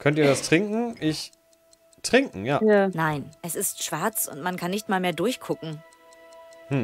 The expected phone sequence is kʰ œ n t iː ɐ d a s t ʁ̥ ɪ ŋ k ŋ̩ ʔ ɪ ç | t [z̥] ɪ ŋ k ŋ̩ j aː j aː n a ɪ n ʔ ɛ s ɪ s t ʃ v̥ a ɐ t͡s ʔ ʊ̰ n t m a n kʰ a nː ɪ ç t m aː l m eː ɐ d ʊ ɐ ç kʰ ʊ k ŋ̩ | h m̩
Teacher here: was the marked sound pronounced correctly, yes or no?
no